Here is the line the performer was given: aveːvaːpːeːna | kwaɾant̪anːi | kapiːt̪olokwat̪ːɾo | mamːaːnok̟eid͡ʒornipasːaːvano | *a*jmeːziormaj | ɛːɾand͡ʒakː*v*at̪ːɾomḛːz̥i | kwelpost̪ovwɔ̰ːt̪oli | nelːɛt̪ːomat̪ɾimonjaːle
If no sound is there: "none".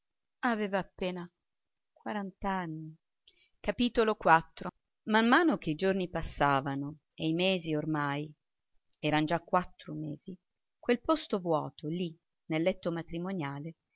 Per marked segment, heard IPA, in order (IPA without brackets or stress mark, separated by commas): e, w